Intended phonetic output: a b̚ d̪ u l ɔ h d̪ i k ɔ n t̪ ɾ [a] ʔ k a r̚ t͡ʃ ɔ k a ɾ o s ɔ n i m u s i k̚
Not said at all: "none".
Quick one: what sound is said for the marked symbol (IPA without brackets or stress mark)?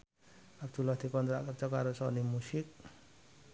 a